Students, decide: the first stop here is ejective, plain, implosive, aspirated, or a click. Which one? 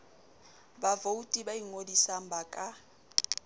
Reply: plain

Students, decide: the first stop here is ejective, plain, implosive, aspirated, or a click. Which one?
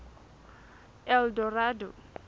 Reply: plain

